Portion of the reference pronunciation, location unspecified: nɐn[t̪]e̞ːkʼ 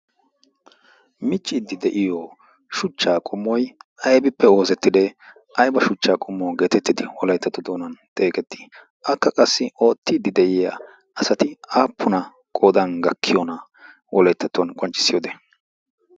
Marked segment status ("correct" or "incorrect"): incorrect